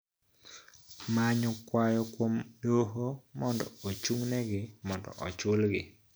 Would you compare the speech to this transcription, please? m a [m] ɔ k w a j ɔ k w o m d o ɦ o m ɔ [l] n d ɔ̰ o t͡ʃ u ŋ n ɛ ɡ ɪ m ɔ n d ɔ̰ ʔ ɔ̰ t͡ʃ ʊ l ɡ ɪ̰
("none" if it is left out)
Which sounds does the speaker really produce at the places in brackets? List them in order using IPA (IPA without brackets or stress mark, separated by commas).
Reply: ɲ, none